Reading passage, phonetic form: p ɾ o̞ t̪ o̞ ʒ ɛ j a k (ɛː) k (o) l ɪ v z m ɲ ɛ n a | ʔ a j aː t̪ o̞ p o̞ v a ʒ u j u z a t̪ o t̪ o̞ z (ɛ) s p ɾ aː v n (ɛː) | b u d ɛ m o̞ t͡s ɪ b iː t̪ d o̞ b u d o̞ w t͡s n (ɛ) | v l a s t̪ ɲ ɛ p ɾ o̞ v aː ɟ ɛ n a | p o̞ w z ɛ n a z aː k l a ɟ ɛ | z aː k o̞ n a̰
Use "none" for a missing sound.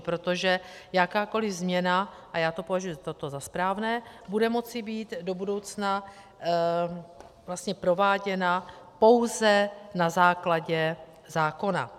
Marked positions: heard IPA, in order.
aː, o, a, ɛː, a

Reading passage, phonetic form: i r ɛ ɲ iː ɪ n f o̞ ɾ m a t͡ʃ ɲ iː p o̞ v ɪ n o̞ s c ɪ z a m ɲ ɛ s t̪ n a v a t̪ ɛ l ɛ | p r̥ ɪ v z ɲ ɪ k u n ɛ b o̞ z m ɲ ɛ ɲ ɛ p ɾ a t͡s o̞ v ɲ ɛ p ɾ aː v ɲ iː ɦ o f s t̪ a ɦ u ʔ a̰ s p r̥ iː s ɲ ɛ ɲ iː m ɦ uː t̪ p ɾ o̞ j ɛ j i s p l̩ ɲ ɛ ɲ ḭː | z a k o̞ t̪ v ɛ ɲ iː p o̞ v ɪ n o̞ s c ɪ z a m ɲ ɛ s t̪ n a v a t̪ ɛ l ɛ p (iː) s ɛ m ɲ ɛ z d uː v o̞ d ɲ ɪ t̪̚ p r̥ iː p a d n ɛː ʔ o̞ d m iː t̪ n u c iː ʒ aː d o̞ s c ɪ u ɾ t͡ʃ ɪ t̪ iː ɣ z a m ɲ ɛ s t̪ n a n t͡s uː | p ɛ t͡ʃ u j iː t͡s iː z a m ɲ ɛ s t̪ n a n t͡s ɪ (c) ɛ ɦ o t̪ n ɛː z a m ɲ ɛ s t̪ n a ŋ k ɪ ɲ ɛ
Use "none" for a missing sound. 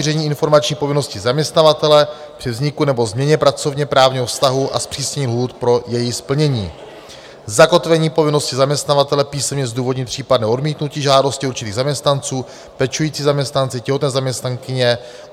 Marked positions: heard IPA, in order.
iː, c

